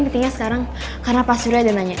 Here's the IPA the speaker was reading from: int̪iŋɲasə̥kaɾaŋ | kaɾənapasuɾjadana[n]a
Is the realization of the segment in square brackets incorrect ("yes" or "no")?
yes